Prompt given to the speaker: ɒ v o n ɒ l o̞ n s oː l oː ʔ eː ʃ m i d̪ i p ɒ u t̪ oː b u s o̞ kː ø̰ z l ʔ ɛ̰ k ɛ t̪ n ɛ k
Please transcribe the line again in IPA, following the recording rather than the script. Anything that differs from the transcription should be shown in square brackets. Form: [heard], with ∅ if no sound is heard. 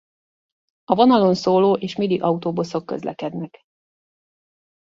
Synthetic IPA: ɒ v o n ɒ l o̞ n s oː l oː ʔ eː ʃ m i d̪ i [ʔ] ɒ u t̪ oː b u s o̞ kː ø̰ z l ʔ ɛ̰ k ɛ [d̪] n ɛ k